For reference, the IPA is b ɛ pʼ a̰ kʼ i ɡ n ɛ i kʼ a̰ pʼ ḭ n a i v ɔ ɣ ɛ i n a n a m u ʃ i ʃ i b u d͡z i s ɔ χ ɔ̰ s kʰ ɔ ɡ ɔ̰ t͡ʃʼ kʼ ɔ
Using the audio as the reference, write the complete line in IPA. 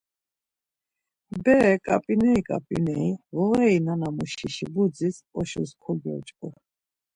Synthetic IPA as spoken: b ɛ kʼ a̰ pʼ i n ɛ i kʼ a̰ pʼ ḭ n ɛ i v ɔ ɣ ɛ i n a n a m u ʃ i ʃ i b u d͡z i s ɔ ʃ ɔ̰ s kʰ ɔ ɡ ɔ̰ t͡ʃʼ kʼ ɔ